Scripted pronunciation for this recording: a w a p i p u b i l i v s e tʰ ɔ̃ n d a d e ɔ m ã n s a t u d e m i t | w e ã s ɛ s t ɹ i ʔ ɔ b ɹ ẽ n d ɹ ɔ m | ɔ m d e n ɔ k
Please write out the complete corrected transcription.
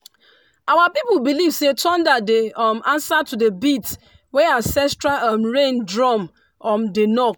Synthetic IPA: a w a p i p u b i l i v s e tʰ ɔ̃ n d a d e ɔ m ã n s a t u d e b i t | w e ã s ɛ s t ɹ a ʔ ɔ m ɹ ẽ n d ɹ ɔ m | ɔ m d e n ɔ k